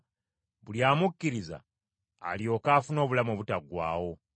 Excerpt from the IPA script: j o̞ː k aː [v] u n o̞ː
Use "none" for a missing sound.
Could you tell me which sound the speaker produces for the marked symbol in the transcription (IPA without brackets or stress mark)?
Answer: f